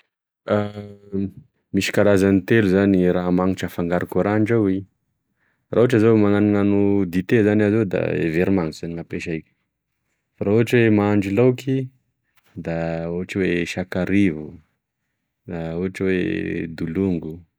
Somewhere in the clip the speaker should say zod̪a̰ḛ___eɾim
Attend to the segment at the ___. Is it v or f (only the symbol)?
v